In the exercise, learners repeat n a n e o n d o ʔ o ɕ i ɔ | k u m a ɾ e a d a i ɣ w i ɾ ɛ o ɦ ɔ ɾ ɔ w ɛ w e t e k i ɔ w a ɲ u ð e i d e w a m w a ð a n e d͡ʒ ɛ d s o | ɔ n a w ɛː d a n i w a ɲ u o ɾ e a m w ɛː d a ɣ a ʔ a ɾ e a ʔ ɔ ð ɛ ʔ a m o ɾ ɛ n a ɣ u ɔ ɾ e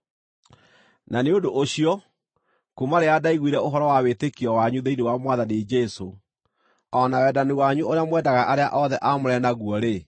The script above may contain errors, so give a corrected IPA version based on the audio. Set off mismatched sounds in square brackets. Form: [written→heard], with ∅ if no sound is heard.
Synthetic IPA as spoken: n a n e o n d o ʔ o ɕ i ɔ | k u m a ɾ e a d a i ɣ w i ɾ ɛ o ɦ ɔ ɾ ɔ w [ɛ→a] w e t e k i ɔ w a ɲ u ð e i [d→n] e w a m w a ð a n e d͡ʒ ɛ [d→∅] s o | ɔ n a w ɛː d a n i w a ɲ u o ɾ e a m w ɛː d a ɣ a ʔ a ɾ e a ʔ ɔ ð ɛ ʔ a m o ɾ ɛ n a ɣ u ɔ ɾ e

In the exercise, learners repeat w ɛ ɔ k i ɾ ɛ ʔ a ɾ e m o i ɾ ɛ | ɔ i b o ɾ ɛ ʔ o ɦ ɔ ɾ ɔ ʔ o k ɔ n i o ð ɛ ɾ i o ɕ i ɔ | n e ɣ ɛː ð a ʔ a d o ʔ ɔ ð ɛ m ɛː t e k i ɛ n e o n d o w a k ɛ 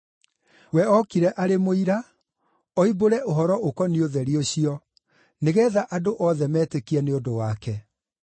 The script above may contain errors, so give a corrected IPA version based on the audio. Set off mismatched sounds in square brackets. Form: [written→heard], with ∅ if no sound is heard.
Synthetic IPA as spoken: w ɛ ɔ k i ɾ ɛ ʔ a ɾ e m o i ɾ [ɛ→a] | ɔ i b o ɾ ɛ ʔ o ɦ ɔ ɾ ɔ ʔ o k ɔ n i o ð ɛ ɾ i o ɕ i ɔ | n e ɣ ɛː ð a ʔ a d o ʔ ɔ ð ɛ m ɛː t e k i ɛ n e o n d o w a k ɛ

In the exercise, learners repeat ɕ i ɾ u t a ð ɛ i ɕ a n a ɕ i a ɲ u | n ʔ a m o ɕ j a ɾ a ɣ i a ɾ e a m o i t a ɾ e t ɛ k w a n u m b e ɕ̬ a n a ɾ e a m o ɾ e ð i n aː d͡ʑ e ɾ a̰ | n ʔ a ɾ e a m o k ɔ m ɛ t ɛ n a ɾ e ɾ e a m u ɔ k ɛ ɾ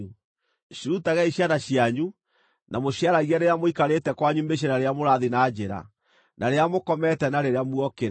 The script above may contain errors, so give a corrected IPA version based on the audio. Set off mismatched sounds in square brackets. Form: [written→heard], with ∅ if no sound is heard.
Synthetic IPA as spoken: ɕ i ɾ u t a [ð→ɣ] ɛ i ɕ a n a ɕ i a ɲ u | n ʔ a m o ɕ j a ɾ a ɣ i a ɾ e a m o i [t→k] a ɾ e t ɛ k w a [n→ɲ] u m b e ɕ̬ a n a ɾ e a m o ɾ [e→a] ð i n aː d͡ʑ e ɾ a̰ | n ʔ a ɾ e a m o k ɔ m ɛ t ɛ n a ɾ e ɾ e a m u ɔ k [ɛ→e] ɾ

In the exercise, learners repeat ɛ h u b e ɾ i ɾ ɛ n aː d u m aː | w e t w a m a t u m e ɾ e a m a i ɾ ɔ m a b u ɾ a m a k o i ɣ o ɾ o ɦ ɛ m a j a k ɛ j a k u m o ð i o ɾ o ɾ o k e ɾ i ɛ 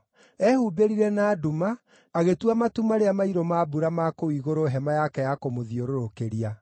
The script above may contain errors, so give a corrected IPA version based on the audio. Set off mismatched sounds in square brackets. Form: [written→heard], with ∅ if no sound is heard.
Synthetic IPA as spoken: ɛ h u b e ɾ i ɾ ɛ n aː d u m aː | [w→ɣ] e t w a m a t u m [e→a] ɾ e a m a i ɾ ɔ m a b u ɾ a m a k o i ɣ o ɾ o ɦ ɛ m a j a k ɛ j a k [u→o] m o ð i o ɾ o ɾ o k e ɾ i [ɛ→a]

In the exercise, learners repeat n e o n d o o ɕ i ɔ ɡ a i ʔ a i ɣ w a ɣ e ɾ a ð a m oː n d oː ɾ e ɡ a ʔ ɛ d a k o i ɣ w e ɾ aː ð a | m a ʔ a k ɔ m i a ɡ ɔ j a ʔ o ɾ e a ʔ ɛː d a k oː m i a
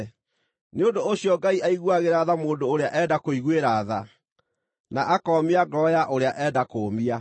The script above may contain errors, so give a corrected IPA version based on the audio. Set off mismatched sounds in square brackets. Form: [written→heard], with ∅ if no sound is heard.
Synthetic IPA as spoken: n e o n d o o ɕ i ɔ ɡ a i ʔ a i ɣ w a ɣ e ɾ a ð a m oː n d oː ɾ e [ɡ→∅] a ʔ ɛ d a k o i ɣ w e ɾ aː ð a | [m→n] a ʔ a k ɔ m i a ɡ ɔ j a ʔ o ɾ e a ʔ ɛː d a k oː m i a

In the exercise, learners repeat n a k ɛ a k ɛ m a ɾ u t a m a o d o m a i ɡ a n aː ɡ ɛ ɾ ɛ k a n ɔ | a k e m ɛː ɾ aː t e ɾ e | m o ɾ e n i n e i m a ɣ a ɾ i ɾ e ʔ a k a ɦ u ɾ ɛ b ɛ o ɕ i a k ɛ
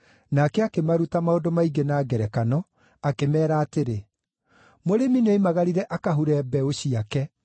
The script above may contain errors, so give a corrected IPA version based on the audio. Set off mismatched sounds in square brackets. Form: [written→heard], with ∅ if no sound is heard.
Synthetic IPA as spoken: n a k ɛ a k [ɛ→e] m a ɾ u t a m a o d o m a i ɡ [a→e] n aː ɡ ɛ ɾ ɛ k a n ɔ | a k e m ɛː ɾ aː t e ɾ e | m o ɾ e [n→m] i n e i m a ɣ a ɾ i ɾ [e→ɛ] ʔ a k a ɦ u ɾ ɛ b ɛ o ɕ i a k ɛ

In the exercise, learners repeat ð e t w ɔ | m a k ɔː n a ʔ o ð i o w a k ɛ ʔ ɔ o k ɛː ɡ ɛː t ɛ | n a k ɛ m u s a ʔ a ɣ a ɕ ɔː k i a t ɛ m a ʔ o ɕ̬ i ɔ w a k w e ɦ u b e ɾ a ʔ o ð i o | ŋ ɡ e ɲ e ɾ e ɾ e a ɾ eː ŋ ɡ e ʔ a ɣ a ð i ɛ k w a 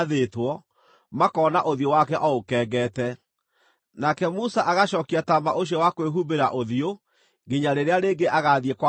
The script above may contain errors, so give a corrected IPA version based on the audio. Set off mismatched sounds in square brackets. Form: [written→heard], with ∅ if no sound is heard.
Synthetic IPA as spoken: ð e t w ɔ | m a k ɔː n a ʔ o ð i o w a k ɛ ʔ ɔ o k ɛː ɡ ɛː t ɛ | n a k ɛ m u s a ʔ a ɣ a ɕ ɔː k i a t [ɛ→a] m a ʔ o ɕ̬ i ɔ w a k w e ɦ u b e ɾ a ʔ o ð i o | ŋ ɡ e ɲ [e→a] ɾ e ɾ e a ɾ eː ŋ ɡ e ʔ a ɣ a ð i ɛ k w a

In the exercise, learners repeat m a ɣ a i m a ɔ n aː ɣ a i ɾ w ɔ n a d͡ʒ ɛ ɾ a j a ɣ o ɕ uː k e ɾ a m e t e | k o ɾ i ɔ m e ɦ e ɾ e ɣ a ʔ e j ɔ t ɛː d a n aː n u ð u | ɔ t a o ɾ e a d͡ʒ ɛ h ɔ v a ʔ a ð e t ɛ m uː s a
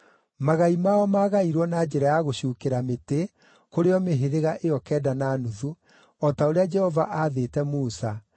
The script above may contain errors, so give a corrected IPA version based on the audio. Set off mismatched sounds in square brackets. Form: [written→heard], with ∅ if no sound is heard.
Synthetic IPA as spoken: m a ɣ a i m a ɔ [n→m] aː ɣ a i ɾ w ɔ n a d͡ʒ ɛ ɾ a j a ɣ o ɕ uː k e ɾ a m e t e | k o ɾ [i→e] ɔ m e ɦ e ɾ e ɣ a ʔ e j ɔ [t→k] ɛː d a n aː n u ð u | ɔ t a o ɾ e a d͡ʒ ɛ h ɔ v a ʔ a ð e t ɛ m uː s a

